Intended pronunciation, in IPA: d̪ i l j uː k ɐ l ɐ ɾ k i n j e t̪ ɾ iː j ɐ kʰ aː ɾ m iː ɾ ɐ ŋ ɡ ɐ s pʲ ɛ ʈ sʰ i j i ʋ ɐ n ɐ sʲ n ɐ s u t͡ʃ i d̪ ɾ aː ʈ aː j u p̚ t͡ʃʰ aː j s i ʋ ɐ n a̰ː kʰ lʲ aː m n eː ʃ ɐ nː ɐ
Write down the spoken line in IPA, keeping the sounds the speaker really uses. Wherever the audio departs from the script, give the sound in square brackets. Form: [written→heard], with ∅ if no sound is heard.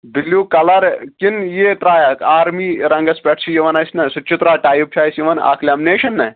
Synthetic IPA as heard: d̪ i l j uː k ɐ l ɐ ɾ k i n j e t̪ ɾ [iː→aː] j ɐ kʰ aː ɾ m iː ɾ ɐ ŋ ɡ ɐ s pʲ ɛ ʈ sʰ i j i ʋ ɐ n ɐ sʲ n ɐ s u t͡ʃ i [d̪→t̪] ɾ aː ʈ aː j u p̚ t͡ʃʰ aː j s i ʋ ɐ n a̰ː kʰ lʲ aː m n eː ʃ ɐ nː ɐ